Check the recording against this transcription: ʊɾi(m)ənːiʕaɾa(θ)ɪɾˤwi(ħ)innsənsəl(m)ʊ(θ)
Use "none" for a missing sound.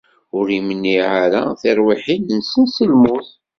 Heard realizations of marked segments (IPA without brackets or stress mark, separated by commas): m, θ, ħ, m, θ